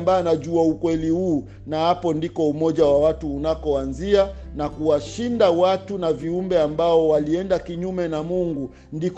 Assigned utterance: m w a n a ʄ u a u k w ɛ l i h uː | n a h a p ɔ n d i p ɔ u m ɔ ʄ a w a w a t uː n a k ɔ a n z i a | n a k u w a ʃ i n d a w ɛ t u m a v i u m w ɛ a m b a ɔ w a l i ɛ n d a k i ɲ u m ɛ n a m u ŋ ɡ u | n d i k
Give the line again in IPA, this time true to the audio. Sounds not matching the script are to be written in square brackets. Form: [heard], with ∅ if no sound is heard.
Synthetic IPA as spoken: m [b] a n a ʄ u a u k w ɛ l i h uː | n a h a p ɔ n d i [k] ɔ u m ɔ ʄ a w a w a t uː n a k ɔ a n z i a | n a k u w a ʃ i n d a w [a] t u [n] a v i u m [b] ɛ a m b a ɔ w a l i ɛ n d a k i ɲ u m ɛ n a m u ŋ ɡ u | n d i k